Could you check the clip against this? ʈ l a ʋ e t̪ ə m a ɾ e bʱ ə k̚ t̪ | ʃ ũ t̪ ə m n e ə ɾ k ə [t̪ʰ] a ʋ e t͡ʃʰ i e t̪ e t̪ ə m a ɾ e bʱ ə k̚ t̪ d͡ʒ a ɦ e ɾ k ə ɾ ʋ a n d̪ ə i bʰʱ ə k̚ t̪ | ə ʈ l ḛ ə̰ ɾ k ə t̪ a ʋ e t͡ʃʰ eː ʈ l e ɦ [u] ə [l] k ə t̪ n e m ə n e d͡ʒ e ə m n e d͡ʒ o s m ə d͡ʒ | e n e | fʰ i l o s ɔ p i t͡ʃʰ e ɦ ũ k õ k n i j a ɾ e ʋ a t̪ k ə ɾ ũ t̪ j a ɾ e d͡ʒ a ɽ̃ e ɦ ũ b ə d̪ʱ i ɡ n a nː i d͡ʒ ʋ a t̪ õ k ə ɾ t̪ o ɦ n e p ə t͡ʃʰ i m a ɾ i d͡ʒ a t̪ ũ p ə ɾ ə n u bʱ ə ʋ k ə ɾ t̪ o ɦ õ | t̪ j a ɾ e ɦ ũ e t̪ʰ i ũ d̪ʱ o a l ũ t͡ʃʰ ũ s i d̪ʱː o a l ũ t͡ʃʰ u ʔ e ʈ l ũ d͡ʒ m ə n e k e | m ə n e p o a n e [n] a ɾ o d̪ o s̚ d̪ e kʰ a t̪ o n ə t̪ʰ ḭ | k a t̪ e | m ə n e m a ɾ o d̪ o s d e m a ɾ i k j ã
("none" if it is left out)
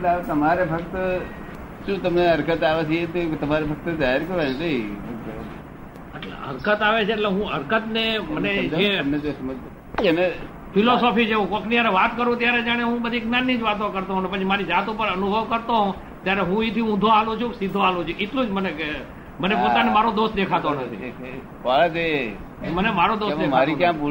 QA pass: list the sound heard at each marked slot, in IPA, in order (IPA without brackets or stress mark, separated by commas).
t̪, ũ, ɾ, m